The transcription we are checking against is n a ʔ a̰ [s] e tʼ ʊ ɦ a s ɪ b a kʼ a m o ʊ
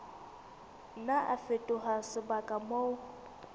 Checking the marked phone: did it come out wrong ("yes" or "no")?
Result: yes